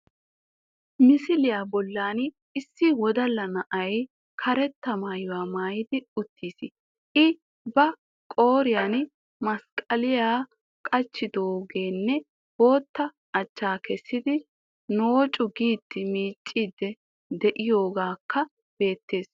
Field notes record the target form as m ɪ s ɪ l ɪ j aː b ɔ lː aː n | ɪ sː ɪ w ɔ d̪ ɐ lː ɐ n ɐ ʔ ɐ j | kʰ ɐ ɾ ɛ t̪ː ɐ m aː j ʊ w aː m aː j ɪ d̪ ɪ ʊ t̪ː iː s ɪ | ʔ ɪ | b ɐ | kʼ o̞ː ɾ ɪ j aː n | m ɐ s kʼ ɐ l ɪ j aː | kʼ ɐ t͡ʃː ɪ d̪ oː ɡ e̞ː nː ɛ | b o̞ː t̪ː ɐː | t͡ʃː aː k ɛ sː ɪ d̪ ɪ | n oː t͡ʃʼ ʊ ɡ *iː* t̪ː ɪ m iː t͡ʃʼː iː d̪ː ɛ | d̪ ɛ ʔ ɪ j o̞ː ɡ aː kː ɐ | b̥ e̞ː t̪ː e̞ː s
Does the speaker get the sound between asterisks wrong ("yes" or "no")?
no